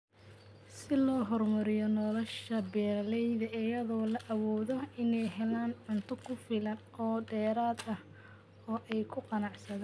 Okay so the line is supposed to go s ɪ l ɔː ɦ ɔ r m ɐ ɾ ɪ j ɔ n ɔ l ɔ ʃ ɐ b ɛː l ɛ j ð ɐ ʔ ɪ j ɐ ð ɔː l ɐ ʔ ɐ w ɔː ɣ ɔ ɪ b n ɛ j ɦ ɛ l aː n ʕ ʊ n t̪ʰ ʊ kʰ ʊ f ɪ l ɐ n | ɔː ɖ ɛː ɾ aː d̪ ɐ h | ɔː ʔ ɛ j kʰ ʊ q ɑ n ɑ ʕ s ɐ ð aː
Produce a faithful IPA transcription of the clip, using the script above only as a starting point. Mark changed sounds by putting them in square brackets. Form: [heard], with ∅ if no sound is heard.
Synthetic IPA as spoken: s ɪ l ɔː ɦ ɔ r m ɐ ɾ ɪ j ɔ n ɔ l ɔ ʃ ɐ b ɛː l ɛ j ð ɐ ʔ ɪ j ɐ ð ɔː l ɐ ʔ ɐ w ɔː [ð] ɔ ɪ [∅] n ɛ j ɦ ɛ l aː n ʕ ʊ n t̪ʰ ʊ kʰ ʊ f ɪ l ɐ n | ɔː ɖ ɛː ɾ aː d̪ ɐ h | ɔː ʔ ɛ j kʰ ʊ q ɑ n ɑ ʕ s ɐ ð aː